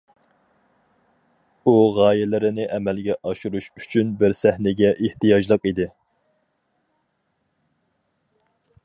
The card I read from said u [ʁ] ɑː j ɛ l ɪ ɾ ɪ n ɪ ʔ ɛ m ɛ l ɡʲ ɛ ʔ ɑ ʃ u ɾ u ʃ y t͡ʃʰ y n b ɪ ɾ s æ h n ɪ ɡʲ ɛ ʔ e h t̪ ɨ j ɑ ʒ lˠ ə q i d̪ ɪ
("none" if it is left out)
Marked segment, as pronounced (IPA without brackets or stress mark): ʁ